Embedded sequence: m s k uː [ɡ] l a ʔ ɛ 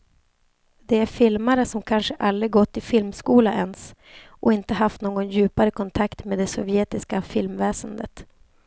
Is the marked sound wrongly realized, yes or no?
yes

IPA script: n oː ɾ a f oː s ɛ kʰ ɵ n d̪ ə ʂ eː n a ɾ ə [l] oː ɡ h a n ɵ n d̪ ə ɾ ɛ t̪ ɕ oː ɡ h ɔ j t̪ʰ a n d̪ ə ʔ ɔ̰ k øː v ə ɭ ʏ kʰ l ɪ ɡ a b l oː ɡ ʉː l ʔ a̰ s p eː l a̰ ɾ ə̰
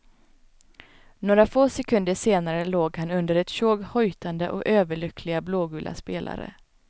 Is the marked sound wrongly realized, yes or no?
no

